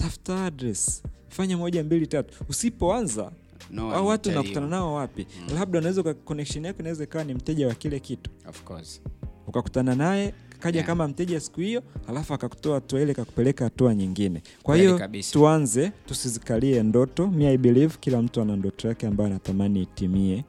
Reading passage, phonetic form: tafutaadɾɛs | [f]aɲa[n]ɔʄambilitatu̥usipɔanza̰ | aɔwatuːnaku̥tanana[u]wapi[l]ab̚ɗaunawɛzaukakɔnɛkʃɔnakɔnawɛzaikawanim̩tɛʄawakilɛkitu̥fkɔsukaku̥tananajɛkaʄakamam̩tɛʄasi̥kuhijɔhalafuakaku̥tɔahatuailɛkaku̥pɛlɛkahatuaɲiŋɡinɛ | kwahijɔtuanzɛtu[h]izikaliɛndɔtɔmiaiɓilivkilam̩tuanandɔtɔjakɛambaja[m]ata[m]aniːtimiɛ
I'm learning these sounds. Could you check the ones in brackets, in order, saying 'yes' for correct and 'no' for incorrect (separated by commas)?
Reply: yes, no, no, yes, no, no, yes